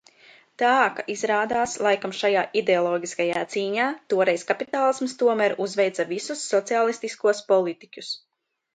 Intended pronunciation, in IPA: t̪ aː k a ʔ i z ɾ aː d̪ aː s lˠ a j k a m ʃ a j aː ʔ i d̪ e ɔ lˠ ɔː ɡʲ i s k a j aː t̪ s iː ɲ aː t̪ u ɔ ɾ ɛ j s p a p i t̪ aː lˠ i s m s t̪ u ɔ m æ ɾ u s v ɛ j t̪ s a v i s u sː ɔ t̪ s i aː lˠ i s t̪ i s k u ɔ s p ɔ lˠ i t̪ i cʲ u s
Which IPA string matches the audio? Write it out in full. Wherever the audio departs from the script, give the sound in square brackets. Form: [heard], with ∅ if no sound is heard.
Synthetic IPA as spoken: t̪ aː k a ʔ i z ɾ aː d̪ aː s lˠ a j k a m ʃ a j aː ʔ i d̪ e ɔ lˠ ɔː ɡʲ i s k a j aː t̪ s iː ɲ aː t̪ u ɔ ɾ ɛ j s [k] a p i t̪ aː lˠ i s m s t̪ u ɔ m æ ɾ u [z] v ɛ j t̪ s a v i s u sː ɔ t̪ s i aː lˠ i s t̪ i s k u ɔ s p ɔ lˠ i t̪ i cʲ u s